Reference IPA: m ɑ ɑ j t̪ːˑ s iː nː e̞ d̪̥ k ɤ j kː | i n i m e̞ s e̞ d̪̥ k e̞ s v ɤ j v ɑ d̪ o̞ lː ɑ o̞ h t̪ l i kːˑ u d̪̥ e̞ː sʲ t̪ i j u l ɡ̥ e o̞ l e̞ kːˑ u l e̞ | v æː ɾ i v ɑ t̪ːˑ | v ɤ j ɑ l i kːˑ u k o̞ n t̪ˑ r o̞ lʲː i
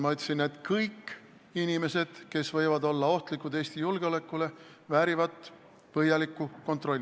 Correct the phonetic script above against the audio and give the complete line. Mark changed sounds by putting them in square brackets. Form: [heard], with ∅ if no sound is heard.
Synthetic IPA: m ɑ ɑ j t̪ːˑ s [i] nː e̞ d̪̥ k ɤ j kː | i n i m e̞ s e̞ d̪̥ k e̞ s v ɤ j v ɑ d̪ o̞ lː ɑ o̞ h t̪ l i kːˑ u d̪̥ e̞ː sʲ t̪ i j u l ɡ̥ e o̞ l e̞ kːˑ u l e̞ | v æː ɾ i v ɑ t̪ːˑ | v ɤ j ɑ l i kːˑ u k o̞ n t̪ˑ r o̞ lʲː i